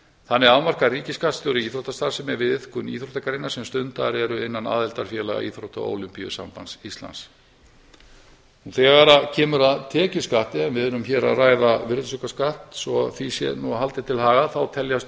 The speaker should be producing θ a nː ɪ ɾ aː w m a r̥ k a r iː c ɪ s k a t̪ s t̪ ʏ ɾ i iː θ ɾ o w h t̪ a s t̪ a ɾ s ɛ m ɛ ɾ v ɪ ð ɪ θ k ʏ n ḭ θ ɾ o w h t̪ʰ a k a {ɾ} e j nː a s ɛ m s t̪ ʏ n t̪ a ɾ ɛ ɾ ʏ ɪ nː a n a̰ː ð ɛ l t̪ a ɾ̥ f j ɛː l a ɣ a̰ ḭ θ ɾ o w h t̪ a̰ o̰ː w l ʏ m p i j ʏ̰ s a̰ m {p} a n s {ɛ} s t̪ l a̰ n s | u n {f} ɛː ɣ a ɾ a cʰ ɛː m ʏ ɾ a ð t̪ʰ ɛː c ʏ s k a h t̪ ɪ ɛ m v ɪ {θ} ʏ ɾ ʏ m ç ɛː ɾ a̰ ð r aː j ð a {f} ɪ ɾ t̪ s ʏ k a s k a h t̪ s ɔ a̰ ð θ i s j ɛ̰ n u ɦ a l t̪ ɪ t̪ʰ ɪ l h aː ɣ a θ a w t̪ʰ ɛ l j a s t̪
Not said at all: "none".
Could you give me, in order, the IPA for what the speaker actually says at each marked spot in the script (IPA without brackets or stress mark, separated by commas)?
ɾ, p, i, θ, ð, v